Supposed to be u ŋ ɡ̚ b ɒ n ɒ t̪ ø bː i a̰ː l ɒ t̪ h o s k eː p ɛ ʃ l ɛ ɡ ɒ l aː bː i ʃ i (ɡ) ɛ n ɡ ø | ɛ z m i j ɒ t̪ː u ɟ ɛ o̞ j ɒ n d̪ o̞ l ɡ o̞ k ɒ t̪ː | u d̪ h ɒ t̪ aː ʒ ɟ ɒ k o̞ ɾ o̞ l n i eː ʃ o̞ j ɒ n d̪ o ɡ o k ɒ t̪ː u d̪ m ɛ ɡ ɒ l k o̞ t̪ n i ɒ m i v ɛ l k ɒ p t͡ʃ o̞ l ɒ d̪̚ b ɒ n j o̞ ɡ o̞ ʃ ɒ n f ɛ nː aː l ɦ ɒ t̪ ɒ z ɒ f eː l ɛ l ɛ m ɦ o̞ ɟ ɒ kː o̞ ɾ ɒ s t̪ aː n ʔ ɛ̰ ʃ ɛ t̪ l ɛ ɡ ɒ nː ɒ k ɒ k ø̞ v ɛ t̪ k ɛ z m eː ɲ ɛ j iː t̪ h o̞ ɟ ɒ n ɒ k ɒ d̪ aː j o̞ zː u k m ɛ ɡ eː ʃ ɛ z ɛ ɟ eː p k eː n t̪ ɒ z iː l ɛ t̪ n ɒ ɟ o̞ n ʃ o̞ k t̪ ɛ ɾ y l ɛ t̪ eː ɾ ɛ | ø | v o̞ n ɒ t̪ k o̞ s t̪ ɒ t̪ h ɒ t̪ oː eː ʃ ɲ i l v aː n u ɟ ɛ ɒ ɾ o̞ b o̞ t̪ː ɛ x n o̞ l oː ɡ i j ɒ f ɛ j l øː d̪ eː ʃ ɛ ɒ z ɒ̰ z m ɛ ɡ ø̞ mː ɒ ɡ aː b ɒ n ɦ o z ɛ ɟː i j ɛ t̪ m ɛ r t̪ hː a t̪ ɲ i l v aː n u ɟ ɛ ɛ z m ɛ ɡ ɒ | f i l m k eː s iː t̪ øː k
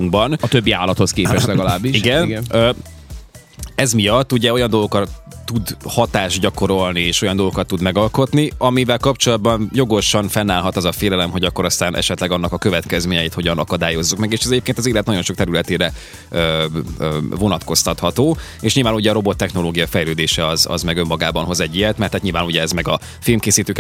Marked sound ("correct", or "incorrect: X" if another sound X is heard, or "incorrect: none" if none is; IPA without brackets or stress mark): correct